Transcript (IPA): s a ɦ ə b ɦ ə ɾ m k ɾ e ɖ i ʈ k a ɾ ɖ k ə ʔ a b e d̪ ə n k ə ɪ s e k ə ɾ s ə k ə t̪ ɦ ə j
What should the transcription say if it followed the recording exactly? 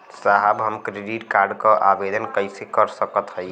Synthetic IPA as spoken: s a ɦ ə b ɦ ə m k ɾ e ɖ i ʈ k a ɾ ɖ k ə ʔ a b e d̪ ə n k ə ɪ s e k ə ɾ s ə k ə t̪ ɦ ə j